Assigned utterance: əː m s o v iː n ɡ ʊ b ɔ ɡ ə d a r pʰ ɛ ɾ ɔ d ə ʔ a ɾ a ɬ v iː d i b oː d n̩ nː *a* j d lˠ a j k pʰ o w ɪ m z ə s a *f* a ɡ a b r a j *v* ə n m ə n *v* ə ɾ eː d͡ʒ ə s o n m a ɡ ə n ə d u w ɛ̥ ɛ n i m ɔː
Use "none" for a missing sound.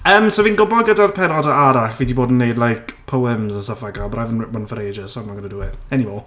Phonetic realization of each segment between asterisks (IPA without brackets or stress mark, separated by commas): e, f, v, f